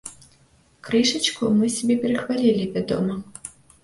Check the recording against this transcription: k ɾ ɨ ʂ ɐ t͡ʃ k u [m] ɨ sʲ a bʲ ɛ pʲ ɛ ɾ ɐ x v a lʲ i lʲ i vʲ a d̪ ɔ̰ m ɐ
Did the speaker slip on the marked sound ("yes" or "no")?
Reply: no